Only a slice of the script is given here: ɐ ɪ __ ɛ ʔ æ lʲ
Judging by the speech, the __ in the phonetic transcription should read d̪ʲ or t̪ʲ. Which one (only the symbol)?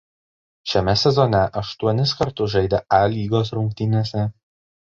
d̪ʲ